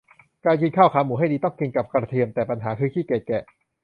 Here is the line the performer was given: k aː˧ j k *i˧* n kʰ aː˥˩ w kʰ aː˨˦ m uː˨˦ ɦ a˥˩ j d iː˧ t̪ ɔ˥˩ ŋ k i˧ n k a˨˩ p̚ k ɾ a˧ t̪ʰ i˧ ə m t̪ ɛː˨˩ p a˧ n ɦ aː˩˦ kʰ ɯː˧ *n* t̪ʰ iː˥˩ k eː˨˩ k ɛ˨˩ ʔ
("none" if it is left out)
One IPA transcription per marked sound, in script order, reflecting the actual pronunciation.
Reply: i˧, none

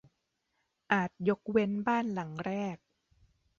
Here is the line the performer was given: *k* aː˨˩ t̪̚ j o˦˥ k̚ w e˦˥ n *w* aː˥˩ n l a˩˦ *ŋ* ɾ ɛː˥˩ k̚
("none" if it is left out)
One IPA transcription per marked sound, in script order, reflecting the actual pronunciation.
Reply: ʔ, b, ŋ

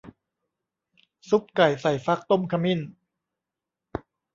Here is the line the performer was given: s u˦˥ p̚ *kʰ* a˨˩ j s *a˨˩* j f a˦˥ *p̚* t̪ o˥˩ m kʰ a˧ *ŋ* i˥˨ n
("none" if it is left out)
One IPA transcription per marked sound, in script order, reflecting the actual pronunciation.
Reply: k, a˨˩, k̚, m

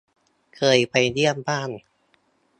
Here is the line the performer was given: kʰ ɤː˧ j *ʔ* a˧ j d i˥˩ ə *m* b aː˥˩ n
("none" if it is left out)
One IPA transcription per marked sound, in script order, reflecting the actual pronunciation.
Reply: p, m

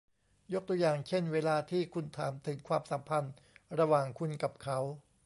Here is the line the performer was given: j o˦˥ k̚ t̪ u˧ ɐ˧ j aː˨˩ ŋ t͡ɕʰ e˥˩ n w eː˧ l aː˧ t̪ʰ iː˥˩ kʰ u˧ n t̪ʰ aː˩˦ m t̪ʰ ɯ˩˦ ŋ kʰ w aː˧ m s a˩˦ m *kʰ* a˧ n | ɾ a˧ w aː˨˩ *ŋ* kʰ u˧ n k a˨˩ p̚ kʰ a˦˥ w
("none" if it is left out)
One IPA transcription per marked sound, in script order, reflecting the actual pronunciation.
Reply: pʰ, ŋ

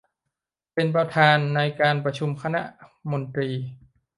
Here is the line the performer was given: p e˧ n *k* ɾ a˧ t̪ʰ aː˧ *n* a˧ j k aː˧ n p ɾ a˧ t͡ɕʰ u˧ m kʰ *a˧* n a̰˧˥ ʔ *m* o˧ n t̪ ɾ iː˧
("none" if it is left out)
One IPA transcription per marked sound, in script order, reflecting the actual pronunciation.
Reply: p, nː, a˧, m

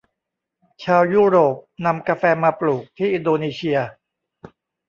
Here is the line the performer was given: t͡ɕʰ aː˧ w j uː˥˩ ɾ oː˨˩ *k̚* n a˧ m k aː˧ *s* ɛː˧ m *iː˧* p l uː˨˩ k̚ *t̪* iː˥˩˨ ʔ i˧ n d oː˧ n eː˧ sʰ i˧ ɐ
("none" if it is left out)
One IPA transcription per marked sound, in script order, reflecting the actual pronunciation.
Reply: p̚, f, aː˧, t̪ʰ

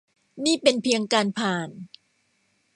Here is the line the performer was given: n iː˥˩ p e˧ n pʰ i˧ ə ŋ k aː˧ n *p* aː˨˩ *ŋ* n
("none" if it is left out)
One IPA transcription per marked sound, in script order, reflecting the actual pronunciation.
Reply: pʰ, none

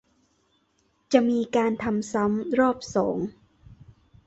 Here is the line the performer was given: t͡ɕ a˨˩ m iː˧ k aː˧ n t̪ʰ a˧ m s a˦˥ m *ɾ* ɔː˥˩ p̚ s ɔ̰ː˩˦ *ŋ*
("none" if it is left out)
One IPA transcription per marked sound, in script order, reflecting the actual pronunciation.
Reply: ɾ, ŋ

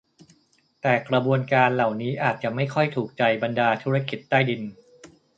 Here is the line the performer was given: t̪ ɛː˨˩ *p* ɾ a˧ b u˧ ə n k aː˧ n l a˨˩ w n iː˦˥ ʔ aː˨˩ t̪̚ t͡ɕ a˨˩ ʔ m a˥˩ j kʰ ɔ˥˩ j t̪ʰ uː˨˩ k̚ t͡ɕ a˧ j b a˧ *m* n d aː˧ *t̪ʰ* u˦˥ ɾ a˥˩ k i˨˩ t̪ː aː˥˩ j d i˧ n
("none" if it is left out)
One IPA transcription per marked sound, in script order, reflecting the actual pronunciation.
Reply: k, none, t̪ʰ

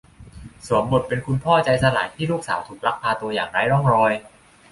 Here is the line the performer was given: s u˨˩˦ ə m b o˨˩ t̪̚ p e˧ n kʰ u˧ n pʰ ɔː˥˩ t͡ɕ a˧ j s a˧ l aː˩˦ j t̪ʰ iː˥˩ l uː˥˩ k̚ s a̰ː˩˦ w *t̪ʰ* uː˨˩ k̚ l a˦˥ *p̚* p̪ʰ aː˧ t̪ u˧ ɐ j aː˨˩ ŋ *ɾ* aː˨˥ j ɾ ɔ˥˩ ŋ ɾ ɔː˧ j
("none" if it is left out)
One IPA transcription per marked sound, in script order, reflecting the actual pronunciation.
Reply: t̪ʰ, k̚, ɾ

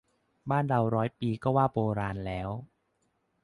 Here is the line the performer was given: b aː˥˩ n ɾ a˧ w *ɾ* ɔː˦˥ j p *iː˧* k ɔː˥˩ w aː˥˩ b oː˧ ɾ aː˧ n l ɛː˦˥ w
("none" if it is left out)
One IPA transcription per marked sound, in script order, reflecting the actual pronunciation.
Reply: ɾ, iː˧

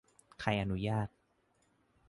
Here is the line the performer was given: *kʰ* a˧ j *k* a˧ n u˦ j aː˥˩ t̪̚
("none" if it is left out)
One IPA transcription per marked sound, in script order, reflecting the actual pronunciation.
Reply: kʰ, ʔ

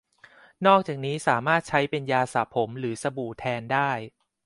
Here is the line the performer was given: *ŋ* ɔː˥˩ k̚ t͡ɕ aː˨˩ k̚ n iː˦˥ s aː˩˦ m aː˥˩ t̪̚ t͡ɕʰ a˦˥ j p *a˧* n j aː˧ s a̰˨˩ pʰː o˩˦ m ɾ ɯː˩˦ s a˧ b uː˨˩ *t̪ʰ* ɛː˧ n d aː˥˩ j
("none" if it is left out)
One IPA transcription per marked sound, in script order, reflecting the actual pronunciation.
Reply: n, e˧, t̪ʰ

